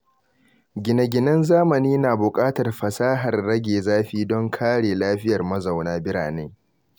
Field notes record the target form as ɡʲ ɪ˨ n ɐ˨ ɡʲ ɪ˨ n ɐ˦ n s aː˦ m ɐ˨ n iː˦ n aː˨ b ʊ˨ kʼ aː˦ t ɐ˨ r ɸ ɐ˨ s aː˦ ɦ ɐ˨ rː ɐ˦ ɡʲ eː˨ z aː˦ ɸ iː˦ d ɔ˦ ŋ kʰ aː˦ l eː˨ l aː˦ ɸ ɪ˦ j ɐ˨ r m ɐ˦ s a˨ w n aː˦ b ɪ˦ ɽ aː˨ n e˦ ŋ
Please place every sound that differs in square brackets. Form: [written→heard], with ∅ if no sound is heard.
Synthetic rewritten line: ɡʲ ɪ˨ n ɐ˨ ɡʲ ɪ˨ n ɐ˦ n [s→z] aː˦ m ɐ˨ n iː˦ n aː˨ b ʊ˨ kʼ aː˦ t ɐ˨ r ɸ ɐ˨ s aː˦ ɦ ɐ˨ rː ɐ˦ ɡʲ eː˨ z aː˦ ɸ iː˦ d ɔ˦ ŋ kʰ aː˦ [l→ɽ] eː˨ l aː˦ ɸ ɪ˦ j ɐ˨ r m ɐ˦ [s→z] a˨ w n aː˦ b ɪ˦ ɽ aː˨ n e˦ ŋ